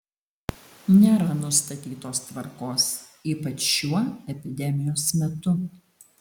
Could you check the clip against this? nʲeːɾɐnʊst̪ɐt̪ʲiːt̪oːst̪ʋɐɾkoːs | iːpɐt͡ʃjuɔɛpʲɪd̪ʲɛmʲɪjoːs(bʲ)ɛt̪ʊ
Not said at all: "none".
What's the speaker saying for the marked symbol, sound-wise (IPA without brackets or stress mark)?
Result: mʲ